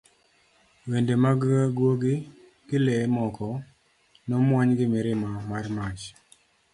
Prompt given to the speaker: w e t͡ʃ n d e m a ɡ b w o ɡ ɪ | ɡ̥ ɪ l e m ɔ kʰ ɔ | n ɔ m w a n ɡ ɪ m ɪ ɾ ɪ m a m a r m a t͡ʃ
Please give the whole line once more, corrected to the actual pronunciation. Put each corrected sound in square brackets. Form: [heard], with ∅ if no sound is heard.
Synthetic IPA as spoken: w e [∅] n d e m a ɡ [ɡ] w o ɡ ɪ | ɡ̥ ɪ l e m ɔ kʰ ɔ | n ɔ m w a [ɲ] ɡ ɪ m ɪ ɾ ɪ m a m a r m a t͡ʃ